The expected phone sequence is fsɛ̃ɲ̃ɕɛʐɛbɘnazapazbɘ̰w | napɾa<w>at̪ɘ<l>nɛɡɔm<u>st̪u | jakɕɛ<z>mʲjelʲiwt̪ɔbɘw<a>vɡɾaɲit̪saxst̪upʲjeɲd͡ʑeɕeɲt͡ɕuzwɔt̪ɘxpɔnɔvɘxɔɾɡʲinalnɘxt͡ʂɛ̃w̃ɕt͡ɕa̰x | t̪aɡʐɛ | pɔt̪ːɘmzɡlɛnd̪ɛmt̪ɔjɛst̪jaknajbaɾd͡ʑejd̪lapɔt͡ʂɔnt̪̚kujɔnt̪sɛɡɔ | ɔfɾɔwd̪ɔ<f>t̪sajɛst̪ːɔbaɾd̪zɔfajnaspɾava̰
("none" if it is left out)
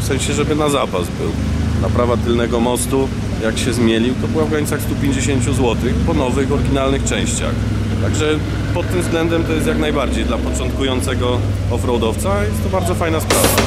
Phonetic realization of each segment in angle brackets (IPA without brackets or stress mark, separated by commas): v, l, ɔ, z, a, f